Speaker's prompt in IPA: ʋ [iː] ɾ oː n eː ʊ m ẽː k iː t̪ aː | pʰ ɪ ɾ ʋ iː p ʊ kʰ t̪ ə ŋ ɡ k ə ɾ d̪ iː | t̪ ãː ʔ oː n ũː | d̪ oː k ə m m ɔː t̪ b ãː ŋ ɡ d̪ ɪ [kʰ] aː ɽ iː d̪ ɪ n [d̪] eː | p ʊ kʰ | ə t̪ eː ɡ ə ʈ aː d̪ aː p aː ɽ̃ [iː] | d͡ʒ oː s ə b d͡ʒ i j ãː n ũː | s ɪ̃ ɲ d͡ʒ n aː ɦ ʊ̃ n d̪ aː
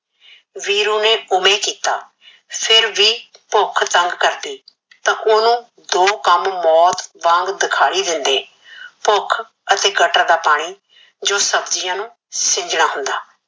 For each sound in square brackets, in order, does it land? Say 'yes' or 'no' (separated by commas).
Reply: yes, yes, yes, yes